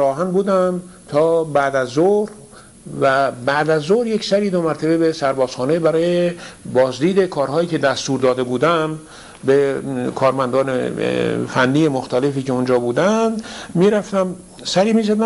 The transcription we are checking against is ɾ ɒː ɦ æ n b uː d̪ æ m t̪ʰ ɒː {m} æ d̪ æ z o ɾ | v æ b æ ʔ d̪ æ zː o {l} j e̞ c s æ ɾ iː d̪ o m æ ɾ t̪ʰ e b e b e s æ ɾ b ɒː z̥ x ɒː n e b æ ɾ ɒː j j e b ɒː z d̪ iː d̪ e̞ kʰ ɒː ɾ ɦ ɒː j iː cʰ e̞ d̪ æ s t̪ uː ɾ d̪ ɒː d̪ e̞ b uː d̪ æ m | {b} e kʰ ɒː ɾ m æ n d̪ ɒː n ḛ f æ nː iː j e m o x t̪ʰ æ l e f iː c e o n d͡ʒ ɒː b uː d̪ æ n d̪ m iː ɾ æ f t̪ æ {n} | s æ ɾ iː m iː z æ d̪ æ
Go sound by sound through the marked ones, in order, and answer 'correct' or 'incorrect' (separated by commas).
incorrect, incorrect, correct, incorrect